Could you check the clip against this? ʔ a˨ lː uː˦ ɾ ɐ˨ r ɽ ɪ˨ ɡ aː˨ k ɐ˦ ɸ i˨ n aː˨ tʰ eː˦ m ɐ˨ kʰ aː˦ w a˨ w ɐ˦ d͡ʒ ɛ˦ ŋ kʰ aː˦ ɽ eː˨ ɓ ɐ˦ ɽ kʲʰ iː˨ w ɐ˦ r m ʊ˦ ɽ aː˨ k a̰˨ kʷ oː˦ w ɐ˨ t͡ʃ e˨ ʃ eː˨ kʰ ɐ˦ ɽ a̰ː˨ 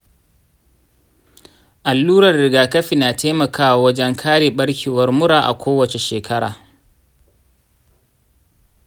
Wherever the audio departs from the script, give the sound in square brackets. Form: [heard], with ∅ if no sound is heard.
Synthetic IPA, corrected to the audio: ʔ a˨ lː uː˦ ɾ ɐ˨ r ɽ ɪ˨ ɡ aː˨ k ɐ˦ ɸ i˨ n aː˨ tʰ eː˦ m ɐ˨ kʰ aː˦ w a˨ w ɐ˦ d͡ʒ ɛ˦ ŋ kʰ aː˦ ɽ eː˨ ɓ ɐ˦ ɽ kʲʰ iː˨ w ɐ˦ r m ʊ˦ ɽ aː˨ [ʔ] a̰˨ kʷ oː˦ w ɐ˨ t͡ʃ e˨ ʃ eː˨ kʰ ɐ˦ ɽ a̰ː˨